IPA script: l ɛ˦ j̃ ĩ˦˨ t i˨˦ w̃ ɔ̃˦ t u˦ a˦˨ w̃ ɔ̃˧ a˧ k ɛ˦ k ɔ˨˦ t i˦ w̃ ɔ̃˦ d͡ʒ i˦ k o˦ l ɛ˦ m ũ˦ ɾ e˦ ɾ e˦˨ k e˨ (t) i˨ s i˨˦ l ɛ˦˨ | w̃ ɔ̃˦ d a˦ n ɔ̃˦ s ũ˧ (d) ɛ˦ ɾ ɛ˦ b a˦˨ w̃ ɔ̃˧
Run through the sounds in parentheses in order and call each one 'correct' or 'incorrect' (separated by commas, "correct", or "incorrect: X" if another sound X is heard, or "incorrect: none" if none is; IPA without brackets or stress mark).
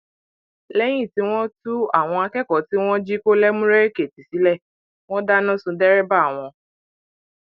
correct, correct